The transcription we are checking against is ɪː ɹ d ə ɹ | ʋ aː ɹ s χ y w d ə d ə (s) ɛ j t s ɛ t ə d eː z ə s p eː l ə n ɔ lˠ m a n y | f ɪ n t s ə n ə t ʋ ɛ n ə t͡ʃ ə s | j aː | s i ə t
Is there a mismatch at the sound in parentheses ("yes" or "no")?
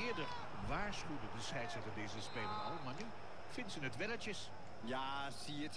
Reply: no